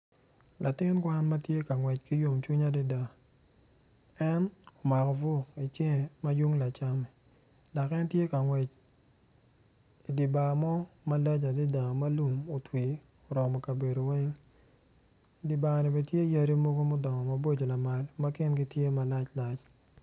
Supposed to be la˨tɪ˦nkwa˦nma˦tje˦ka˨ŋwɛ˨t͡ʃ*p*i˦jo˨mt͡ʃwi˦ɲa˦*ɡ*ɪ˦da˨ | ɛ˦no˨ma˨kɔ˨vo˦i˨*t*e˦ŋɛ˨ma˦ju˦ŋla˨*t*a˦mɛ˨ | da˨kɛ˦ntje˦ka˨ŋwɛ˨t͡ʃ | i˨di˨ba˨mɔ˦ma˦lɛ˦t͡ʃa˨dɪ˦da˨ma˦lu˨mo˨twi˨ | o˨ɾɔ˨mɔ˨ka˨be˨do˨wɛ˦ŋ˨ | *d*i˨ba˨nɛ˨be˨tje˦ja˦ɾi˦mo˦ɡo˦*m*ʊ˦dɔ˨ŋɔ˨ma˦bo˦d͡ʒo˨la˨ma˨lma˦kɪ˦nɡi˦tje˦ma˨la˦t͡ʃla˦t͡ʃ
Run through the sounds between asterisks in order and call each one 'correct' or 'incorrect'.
incorrect: k, incorrect: d, incorrect: t͡ʃ, incorrect: t͡ʃ, correct, correct

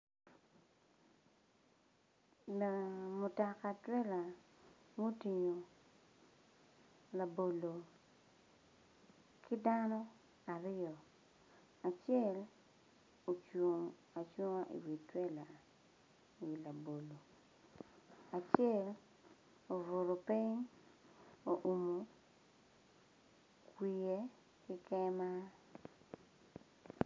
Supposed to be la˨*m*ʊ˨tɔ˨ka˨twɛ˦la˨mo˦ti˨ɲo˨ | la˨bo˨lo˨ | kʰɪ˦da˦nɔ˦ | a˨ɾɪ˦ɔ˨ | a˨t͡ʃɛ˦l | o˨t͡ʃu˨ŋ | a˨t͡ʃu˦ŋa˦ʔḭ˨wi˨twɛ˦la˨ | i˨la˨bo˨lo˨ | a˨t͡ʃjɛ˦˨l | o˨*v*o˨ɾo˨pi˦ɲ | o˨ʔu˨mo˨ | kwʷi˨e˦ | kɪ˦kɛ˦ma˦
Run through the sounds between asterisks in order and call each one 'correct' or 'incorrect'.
correct, correct

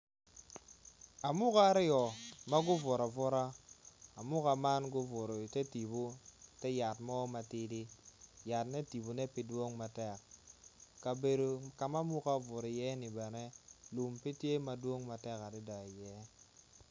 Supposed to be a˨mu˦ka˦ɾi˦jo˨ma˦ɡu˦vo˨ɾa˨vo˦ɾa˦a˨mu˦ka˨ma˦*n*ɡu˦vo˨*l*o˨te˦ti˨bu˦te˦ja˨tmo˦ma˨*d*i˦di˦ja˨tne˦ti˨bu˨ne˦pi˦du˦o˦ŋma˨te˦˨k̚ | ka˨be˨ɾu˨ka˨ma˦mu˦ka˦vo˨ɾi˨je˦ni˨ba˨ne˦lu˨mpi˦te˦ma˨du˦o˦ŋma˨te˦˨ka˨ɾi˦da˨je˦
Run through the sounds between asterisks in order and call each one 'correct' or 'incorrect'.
correct, incorrect: ɾ, incorrect: t

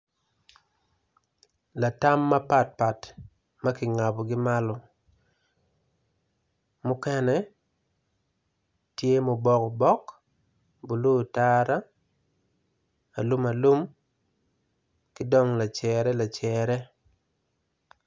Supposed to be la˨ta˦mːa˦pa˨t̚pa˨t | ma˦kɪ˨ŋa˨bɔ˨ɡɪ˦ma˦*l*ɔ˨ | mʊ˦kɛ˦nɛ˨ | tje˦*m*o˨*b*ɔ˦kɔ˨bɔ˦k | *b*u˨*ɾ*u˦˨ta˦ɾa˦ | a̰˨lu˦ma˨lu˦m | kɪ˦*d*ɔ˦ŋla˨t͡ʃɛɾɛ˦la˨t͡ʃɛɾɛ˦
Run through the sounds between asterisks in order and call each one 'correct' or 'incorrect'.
correct, correct, correct, correct, incorrect: l, correct

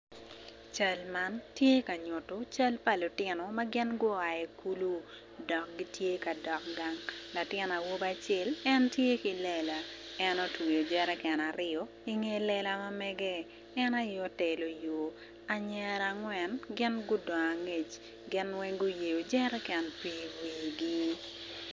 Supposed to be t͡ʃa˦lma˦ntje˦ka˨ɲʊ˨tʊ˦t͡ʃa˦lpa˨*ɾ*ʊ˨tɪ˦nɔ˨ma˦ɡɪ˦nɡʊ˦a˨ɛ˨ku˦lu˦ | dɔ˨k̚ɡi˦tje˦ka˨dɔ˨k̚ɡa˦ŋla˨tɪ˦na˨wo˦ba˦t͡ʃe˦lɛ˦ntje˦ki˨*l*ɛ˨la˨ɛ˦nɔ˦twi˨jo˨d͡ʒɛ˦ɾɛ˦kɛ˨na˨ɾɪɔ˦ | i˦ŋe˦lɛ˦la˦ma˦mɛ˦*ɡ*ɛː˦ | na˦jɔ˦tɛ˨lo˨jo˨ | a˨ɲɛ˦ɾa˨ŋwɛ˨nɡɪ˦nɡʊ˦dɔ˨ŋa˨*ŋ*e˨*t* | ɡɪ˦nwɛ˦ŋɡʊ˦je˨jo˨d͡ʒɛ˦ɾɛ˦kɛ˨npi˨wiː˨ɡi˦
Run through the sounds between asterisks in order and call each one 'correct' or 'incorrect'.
incorrect: l, correct, correct, correct, incorrect: t͡ʃ

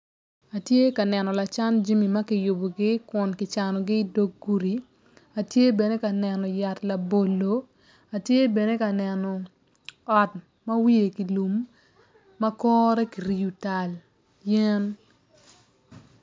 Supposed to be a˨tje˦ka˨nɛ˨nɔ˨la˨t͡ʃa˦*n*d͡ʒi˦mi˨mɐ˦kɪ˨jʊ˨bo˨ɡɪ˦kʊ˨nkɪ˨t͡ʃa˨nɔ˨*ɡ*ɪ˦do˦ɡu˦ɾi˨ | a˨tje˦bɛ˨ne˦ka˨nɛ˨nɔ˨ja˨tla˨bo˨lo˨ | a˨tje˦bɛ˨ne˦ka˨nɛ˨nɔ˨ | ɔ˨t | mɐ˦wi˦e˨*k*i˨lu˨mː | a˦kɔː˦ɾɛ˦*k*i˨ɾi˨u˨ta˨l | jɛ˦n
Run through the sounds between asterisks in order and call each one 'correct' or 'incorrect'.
correct, correct, correct, correct

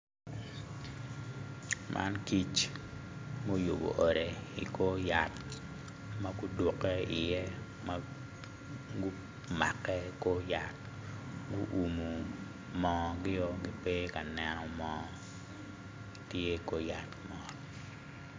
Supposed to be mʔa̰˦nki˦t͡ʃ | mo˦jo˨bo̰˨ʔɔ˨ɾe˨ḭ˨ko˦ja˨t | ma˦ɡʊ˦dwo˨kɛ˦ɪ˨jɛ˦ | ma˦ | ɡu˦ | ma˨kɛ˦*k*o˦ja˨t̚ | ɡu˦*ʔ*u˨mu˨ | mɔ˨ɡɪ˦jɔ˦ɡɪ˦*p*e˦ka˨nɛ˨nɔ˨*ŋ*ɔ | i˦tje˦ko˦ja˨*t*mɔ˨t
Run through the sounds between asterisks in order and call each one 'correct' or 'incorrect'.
correct, correct, correct, incorrect: m, correct

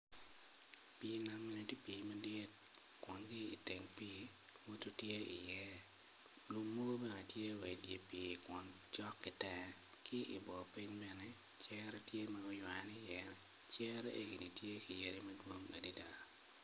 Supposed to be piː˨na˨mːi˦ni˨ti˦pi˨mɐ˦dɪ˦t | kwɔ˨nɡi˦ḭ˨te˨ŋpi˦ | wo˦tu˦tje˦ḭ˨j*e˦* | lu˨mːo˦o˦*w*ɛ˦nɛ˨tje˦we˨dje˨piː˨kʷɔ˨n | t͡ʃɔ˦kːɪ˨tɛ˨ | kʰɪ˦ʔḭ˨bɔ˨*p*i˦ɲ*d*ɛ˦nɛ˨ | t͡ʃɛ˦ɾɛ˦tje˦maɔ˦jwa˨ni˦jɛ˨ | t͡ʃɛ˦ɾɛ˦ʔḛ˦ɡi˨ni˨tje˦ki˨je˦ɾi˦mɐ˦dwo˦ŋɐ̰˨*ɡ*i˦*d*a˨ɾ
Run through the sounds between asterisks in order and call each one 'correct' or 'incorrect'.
incorrect: ɛ˦, incorrect: b, correct, incorrect: b, incorrect: d, correct

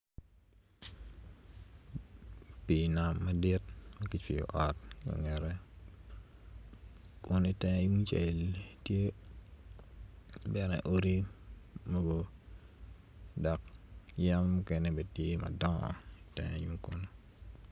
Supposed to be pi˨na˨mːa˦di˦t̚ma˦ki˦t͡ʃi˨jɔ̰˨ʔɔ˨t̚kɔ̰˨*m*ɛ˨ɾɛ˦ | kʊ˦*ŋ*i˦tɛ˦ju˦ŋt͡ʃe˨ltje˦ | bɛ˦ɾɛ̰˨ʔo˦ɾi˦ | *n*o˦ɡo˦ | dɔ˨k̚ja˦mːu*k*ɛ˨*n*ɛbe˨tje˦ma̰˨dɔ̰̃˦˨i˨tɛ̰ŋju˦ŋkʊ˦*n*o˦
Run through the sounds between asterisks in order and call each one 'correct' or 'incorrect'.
incorrect: ŋ, incorrect: n, incorrect: m, correct, correct, correct

